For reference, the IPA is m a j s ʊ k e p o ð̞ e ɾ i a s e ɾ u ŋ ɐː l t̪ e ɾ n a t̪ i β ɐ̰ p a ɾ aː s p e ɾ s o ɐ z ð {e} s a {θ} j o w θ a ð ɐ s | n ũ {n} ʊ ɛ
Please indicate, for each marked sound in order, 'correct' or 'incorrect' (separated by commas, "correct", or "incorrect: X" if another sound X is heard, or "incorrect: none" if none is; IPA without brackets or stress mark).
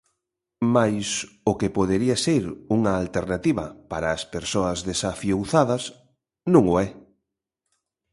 correct, incorrect: f, incorrect: ŋ